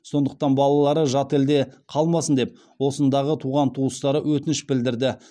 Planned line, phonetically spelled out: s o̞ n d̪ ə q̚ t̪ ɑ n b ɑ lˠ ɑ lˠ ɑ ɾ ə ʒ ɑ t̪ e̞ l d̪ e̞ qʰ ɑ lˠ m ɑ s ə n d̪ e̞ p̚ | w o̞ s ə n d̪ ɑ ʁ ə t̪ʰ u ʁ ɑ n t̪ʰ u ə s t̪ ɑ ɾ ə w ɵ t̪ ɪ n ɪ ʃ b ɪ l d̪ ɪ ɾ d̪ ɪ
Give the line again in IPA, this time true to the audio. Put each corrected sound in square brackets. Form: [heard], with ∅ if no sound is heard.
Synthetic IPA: s o̞ n d̪ ə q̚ t̪ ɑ n b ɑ lˠ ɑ lˠ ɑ ɾ ə ʒ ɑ t̪ e̞ l d̪ e̞ qʰ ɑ lˠ m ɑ s ə n d̪ e̞ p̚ | w o̞ s ə n d̪ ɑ ʁ ə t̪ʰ u ʁ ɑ n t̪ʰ u ə s t̪ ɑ ɾ ə w ɵ t̪ ɪ n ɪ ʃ b ɪ l d̪ ɪ ɾ d̪ ɪ

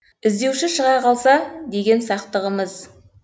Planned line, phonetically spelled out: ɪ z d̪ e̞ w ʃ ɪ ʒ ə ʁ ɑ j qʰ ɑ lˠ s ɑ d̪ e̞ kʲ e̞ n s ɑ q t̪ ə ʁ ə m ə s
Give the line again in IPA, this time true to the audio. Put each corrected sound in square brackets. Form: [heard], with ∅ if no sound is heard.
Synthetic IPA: ɪ z d̪ e̞ w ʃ ɪ [ʃ] ə ʁ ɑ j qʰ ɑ lˠ s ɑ d̪ e̞ [ɡʲ] e̞ n s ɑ q t̪ ə ʁ ə m ə [z]

